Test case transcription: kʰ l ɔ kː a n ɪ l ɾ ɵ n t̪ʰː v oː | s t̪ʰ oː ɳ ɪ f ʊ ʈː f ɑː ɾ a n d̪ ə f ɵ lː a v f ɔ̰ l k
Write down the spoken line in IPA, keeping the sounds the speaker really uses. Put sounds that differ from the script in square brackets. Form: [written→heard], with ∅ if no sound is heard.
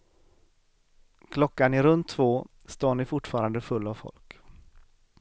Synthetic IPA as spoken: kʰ l ɔ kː a n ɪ [l→∅] ɾ ɵ n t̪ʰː v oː | s [t̪ʰ→t̪] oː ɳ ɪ f ʊ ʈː f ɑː ɾ a n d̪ ə f ɵ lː a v f ɔ̰ l k